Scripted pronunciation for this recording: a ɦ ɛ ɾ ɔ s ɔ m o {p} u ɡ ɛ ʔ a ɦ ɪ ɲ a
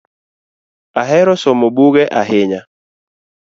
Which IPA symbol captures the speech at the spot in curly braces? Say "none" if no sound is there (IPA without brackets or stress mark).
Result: b